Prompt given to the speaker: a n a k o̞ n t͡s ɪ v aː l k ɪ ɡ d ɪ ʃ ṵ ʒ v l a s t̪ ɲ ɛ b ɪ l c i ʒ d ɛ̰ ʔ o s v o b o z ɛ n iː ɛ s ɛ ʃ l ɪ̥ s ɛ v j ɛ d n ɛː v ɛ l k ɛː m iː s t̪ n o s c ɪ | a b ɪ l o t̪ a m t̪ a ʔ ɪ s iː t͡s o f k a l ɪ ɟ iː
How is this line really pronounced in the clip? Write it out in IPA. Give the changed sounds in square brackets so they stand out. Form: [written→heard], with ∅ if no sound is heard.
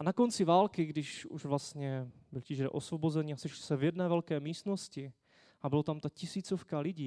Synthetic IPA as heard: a n a k o̞ n t͡s ɪ v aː l k ɪ ɡ d ɪ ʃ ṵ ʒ v l a s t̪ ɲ ɛ b ɪ l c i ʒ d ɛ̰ ʔ o s v o b o z ɛ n iː [ɛ→a] s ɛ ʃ l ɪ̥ s ɛ v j ɛ d n ɛː v ɛ l k ɛː m iː s t̪ n o s c ɪ | a b ɪ l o t̪ a m t̪ a [ʔ→c] ɪ s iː t͡s o f k a l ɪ ɟ iː